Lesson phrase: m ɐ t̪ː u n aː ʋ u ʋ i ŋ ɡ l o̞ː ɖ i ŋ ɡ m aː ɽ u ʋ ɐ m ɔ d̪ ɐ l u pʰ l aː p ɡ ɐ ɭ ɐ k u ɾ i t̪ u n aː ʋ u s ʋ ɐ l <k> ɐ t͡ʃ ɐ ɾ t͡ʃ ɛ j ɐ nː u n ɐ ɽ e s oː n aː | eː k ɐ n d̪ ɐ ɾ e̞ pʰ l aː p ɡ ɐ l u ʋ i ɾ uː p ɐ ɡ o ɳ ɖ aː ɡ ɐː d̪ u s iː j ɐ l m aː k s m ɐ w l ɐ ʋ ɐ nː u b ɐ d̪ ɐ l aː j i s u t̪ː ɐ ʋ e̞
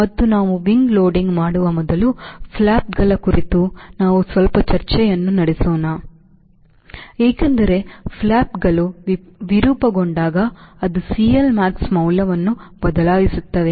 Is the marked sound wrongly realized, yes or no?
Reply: yes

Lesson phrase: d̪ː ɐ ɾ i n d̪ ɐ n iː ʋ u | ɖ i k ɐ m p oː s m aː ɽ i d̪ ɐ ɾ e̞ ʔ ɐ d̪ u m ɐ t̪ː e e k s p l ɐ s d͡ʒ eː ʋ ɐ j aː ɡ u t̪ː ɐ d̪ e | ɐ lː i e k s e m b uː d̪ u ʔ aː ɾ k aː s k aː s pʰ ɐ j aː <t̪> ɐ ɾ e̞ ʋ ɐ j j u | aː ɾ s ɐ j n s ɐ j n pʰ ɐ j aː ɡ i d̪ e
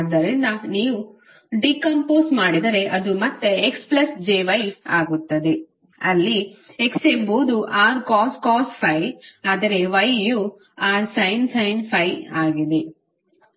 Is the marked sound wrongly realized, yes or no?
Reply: yes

